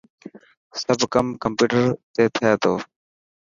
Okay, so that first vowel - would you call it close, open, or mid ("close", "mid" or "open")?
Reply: mid